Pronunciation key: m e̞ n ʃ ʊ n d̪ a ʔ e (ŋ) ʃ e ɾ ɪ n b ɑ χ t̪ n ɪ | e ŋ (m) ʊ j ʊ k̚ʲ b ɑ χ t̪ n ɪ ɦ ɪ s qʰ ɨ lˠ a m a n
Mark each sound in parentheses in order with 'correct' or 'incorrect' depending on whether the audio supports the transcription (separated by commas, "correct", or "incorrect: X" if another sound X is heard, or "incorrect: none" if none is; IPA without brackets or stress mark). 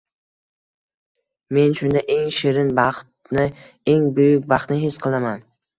correct, incorrect: b